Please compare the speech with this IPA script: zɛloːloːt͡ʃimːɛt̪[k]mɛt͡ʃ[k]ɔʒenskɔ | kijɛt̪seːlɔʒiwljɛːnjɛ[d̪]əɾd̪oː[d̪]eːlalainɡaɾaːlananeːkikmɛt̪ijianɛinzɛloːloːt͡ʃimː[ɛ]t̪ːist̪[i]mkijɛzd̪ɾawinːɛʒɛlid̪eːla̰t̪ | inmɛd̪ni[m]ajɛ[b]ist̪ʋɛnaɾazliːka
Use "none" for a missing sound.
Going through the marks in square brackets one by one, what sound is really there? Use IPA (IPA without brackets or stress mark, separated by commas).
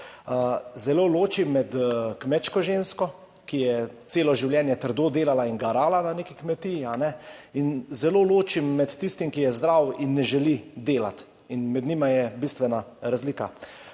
k, k, t̪, d̪, ɛ, i, m, b